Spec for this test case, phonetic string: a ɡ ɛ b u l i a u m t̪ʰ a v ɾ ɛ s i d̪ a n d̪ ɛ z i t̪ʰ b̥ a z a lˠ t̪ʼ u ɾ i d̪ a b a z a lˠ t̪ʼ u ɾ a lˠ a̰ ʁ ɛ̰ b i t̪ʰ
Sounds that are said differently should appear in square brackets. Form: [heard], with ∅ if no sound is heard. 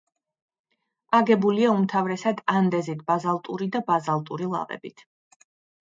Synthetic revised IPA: a ɡ ɛ b u l i a u m t̪ʰ a v ɾ ɛ s [a] d̪ a n d̪ ɛ z i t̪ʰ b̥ a z a lˠ t̪ʼ u ɾ i d̪ a b a z a lˠ t̪ʼ u ɾ [i] lˠ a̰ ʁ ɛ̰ b i t̪ʰ